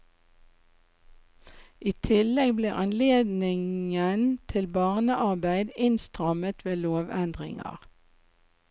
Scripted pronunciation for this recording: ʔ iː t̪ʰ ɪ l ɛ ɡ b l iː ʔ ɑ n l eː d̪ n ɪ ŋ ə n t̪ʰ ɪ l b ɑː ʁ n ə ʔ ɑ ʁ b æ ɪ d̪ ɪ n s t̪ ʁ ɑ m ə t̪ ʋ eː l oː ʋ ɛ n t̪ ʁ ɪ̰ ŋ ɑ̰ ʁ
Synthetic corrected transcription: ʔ iː t̪ʰ ɪ l ɛ ɡ b l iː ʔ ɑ n l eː d̪ n ɪ ŋ ə n t̪ʰ ɪ l b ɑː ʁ n ə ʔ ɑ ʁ b æ ɪ d̪ ɪ n s t̪ ʁ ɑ m ə t̪ ʋ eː l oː ʋ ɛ n d̪ ʁ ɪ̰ ŋ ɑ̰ ʁ